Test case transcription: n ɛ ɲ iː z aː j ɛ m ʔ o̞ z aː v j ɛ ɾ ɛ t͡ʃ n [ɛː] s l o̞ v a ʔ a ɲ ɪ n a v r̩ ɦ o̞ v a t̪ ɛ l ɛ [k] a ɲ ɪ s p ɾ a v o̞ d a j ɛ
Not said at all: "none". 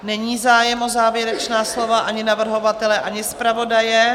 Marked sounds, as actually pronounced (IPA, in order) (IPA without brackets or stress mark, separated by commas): aː, ʔ